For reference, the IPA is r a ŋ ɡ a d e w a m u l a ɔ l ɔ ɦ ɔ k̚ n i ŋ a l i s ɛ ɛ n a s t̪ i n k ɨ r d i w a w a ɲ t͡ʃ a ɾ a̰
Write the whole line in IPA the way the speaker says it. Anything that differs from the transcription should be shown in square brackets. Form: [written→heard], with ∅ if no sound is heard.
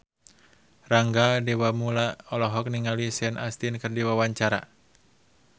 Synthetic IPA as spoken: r a ŋ ɡ a d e w a m u l a ɔ l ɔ ɦ ɔ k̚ n i ŋ a l i s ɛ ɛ n a s t̪ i n k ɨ r d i w a w a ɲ t͡ʃ a ɾ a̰